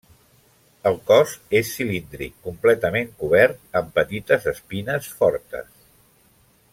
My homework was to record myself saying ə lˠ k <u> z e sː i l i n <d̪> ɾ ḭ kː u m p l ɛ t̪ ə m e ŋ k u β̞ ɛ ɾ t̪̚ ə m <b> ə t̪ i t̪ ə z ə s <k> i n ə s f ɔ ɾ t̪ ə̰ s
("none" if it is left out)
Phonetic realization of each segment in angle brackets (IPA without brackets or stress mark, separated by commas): ɔ, d̪, p, p